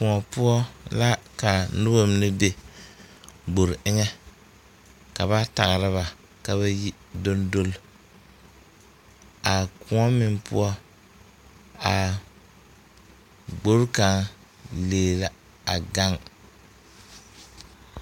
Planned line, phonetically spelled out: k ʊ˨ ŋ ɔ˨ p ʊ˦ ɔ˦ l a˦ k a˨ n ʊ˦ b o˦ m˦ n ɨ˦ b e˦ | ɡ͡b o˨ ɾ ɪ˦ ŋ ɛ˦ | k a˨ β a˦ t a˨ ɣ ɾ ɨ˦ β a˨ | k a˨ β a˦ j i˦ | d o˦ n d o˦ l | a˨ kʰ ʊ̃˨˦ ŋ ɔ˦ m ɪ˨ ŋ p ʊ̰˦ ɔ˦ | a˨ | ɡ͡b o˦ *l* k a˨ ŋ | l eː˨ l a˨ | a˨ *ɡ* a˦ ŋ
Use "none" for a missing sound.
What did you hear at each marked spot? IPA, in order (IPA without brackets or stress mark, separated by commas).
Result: ɾ, ɡ